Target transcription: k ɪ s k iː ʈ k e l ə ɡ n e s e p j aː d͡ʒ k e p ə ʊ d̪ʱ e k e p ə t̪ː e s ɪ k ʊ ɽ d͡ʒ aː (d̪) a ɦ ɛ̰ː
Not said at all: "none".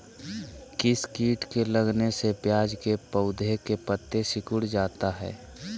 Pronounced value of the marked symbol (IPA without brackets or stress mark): t̪